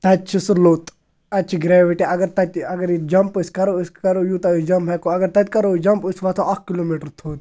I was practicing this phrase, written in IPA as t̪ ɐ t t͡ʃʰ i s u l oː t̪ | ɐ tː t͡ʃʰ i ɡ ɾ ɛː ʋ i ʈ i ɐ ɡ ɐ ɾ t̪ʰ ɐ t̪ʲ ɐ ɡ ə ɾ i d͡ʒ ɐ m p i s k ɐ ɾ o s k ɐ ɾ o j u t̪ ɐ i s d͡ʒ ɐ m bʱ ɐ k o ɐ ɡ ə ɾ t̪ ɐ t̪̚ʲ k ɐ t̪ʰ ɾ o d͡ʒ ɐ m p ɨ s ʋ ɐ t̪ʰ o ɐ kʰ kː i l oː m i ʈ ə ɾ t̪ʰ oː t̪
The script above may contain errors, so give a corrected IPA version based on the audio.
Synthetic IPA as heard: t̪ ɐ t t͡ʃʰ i s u l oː t̪ | ɐ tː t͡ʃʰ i ɡ ɾ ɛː ʋ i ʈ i ɐ ɡ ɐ ɾ t̪ ɐ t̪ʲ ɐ ɡ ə ɾ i d͡ʒ ɐ m p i s k ɐ ɾ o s k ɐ ɾ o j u t̪ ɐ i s d͡ʒ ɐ m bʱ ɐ k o ɐ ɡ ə ɾ t̪ ɐ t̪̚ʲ k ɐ ɾ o d͡ʒ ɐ m p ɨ s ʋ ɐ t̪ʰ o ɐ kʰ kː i l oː m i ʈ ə ɾ t̪ʰ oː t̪